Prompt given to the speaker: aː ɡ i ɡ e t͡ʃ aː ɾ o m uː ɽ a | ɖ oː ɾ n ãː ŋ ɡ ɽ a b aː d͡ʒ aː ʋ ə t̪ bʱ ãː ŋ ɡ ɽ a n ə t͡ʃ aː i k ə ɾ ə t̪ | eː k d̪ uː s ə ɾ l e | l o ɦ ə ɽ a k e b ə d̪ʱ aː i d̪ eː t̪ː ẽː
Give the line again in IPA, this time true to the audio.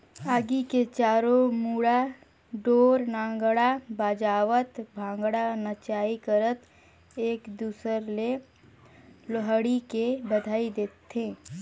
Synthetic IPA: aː ɡ i k e t͡ʃ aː ɾ o m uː ɽ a | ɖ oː ɾ n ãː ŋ ɡ ɽ a b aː d͡ʒ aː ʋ ə t̪ bʱ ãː ŋ ɡ ɽ a n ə t͡ʃ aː i k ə ɾ ə t̪ | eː k d̪ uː s ə ɾ l e | l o ɦ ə ɽ i k e b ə d̪ʱ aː i d̪ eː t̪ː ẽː

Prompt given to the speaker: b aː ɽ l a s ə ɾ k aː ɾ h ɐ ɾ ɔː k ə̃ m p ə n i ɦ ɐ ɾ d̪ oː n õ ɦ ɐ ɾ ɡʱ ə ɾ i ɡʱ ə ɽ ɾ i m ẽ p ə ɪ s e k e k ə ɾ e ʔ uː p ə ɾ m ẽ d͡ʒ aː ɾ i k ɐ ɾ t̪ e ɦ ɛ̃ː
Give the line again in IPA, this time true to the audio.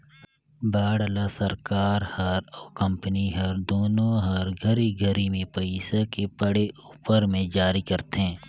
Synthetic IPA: b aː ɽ l a s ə ɾ k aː ɾ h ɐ ɾ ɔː k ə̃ m p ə n i ɦ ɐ ɾ d̪ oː n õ ɦ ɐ ɾ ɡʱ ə ɾ i ɡʱ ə ɾ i m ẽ p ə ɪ s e k e p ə ɽ e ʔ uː p ə ɾ m ẽ d͡ʒ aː ɾ i k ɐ ɾ t̪ e ɦ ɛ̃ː

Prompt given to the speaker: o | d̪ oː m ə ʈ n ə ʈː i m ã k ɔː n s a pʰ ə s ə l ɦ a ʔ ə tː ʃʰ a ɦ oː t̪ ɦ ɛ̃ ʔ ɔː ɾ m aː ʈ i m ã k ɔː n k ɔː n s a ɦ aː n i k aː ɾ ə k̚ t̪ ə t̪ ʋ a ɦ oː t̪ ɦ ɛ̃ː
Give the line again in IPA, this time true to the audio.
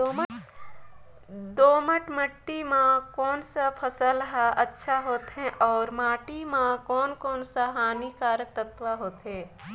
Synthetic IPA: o | d̪ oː m ə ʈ m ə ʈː i m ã k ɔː n s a pʰ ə s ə l ɦ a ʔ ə tː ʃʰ a ɦ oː t̪ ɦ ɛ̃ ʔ ɔː ɾ m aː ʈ i m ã k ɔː n k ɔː n s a ɦ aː n i k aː ɾ ə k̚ t̪ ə t̪ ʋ a ɦ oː t̪ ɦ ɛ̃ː

